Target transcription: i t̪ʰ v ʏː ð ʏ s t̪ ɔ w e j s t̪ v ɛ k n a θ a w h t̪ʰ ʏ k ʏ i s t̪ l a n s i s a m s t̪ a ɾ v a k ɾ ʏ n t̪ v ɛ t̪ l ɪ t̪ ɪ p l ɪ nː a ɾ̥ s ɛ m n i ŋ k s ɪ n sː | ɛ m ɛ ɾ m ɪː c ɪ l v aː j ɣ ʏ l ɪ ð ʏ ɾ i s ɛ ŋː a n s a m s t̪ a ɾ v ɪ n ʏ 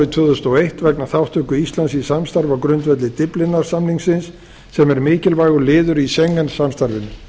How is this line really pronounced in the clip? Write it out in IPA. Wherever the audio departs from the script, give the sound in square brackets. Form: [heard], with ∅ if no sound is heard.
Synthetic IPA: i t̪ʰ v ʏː ð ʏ s t̪ ɔ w e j [h] t̪ v ɛ k n a θ a w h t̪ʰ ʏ k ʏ i s t̪ l a n s i s a m s t̪ a ɾ v a k ɾ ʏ n t̪ v ɛ t̪ l ɪ t̪ ɪ p l ɪ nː a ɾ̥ s [a] m n i ŋ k s ɪ n sː | ɛ m ɛ ɾ m ɪː c ɪ l v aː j ɣ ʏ l [ɪː] ð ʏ ɾ i s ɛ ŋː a n s a m s t̪ a ɾ v ɪ n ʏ